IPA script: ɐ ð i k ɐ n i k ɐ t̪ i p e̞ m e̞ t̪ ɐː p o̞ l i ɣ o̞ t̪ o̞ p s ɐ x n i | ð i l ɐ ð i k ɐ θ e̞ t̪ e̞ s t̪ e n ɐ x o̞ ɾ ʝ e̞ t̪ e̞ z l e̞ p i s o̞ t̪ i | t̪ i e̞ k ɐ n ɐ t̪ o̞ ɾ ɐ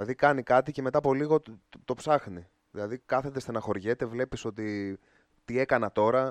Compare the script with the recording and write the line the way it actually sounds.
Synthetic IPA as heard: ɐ ð i k ɐ n i k ɐ t̪ i c e̞ m e̞ t̪ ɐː p o̞ l i ɣ o̞ t̪ o̞ p s ɐ x n i | ð i l ɐ ð i k ɐ θ e̞ t̪ e̞ s t̪ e n ɐ x o̞ ɾ ʝ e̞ t̪ e̞ v l e̞ p i s o̞ t̪ i | t̪ i e̞ k ɐ n ɐ t̪ o̞ ɾ ɐ